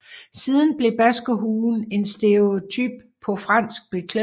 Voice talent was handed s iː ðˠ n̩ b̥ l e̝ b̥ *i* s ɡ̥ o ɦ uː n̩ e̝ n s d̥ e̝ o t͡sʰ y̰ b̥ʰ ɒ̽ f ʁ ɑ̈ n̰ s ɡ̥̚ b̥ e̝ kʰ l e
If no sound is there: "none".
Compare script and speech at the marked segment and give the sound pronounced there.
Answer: æ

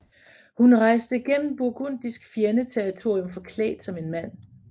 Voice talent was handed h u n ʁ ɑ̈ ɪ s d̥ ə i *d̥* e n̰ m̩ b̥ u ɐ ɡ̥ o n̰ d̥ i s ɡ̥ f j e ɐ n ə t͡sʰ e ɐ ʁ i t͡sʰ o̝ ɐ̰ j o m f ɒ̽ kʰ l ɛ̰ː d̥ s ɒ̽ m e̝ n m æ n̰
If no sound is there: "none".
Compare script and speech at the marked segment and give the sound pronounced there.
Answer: ɡ̥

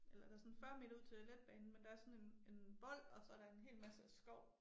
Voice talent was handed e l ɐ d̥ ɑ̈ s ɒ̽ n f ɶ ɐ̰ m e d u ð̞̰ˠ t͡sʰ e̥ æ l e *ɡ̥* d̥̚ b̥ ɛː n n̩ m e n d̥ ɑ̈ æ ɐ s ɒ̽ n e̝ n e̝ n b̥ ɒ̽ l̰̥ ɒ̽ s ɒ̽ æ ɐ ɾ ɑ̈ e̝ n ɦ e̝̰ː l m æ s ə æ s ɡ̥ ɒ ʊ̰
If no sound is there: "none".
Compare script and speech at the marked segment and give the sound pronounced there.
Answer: none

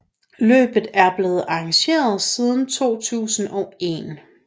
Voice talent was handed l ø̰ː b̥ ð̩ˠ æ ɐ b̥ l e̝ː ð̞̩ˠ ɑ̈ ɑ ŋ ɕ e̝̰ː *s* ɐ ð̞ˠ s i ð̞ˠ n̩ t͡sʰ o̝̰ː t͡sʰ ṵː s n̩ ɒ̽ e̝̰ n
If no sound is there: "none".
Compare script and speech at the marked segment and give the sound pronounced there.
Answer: none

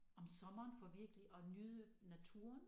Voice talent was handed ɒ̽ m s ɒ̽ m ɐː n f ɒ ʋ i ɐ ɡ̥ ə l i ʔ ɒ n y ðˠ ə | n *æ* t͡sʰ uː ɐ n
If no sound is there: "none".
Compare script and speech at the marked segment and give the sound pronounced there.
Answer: æ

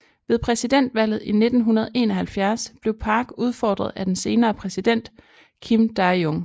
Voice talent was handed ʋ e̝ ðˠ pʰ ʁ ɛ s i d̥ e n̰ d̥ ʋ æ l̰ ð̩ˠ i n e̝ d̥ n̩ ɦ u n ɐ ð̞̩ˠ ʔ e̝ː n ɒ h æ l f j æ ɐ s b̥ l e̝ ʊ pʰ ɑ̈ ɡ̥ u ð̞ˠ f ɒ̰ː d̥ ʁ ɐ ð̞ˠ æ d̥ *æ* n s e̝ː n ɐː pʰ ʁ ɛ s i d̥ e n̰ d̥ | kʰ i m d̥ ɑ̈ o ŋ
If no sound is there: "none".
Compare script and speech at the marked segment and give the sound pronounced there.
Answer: e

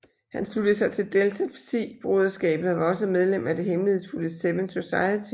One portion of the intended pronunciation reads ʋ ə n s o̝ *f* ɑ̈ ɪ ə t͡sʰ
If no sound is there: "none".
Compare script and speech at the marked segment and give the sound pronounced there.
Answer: s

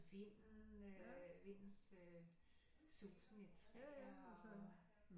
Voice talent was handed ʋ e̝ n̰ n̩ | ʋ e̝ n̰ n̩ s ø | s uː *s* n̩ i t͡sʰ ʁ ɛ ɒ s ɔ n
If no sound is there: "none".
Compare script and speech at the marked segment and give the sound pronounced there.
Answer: s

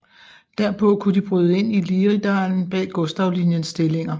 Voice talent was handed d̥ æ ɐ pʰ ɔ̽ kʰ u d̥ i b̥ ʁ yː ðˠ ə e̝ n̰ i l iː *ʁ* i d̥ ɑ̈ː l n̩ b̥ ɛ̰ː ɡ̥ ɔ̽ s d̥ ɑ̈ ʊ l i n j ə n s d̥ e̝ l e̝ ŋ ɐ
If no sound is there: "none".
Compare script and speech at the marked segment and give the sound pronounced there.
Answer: ʁ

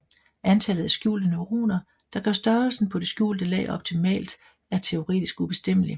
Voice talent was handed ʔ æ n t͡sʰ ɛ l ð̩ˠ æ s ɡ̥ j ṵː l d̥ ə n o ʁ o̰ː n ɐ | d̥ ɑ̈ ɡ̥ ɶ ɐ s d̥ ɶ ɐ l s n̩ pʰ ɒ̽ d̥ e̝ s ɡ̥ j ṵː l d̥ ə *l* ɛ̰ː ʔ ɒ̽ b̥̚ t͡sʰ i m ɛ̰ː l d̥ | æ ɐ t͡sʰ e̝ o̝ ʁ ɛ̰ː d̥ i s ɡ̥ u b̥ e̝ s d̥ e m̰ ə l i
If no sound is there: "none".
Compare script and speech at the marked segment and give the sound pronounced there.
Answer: l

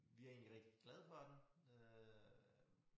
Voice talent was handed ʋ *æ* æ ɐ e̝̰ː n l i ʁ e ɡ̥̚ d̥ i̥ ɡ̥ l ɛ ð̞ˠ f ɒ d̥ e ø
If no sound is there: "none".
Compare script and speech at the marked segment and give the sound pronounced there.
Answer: i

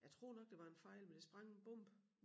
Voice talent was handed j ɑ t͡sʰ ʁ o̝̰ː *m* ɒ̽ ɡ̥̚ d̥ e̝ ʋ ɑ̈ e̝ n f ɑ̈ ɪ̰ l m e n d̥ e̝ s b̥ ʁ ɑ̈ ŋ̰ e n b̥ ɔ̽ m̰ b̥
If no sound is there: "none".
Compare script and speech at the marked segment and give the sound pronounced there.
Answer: n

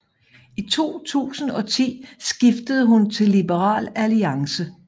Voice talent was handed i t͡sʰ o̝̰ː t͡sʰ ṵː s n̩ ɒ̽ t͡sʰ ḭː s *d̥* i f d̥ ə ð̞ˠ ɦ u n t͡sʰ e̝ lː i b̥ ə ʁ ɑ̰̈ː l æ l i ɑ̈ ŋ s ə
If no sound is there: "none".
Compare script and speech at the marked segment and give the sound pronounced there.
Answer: ɡ̥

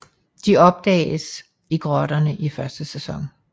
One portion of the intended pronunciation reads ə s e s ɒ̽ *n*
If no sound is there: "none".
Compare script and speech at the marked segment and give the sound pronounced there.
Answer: ŋ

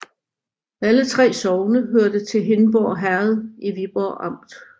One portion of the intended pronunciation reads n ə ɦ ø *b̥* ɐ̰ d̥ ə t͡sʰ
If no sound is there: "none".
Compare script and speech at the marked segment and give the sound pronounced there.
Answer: none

